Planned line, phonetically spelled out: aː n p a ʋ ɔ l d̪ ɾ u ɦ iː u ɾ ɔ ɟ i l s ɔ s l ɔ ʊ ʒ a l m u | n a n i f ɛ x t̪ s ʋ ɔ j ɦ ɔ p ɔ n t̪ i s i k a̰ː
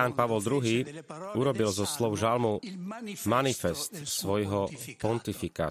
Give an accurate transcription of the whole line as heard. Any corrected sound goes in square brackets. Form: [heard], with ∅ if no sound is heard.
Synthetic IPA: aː n p a ʋ ɔ l d̪ ɾ u ɦ iː u ɾ ɔ [b] i l [z] ɔ s l ɔ ʊ ʒ a l m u | [m] a n i f ɛ [s] t̪ s ʋ ɔ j ɦ ɔ p ɔ n t̪ i [f] i k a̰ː